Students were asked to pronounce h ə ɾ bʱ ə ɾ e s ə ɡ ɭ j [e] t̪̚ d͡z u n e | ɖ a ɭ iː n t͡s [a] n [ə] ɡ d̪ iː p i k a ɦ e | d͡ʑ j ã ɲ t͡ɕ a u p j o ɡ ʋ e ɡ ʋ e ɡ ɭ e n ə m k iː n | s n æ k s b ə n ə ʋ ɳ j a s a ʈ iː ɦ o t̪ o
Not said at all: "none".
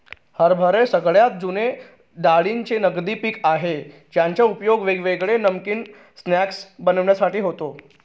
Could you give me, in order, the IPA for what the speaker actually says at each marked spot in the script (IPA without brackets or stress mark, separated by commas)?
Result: a, e, ə